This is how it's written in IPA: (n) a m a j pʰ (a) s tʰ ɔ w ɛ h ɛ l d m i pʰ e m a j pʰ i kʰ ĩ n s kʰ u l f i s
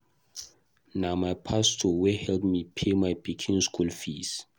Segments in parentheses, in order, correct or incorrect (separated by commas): correct, correct